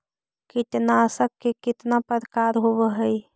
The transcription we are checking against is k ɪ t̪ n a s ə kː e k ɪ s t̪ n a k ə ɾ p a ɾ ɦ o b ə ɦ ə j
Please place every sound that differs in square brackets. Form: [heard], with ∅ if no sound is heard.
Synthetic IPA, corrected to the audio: k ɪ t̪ n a s ə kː e k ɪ [∅] t̪ n a [p] ə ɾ [k] a ɾ ɦ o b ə ɦ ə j